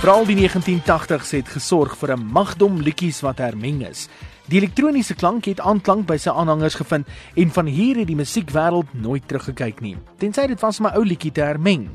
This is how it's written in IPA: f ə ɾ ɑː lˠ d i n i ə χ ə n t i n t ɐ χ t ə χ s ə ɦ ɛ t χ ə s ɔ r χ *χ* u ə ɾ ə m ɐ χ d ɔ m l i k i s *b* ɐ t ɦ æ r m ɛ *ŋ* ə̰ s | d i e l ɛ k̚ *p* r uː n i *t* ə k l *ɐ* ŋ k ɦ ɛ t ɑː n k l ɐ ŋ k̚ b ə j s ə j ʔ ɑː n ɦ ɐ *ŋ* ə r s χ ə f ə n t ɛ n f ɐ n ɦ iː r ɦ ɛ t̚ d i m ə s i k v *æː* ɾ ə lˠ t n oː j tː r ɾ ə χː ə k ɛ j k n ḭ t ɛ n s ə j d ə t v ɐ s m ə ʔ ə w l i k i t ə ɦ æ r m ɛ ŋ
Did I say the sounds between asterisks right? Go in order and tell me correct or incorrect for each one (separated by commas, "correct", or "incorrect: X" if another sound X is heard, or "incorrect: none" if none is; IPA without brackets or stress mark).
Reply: incorrect: f, incorrect: v, correct, incorrect: t, incorrect: s, correct, correct, correct